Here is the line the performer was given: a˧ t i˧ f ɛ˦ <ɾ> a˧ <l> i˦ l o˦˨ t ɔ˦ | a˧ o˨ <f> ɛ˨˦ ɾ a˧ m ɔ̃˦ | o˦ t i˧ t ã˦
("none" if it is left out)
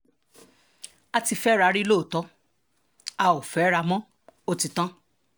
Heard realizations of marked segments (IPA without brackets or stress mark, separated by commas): ɾ, ɾ, f